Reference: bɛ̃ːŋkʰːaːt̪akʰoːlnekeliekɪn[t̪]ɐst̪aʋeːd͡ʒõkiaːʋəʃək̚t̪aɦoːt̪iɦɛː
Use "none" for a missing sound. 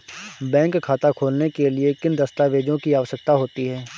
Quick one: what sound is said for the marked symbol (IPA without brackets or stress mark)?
d̪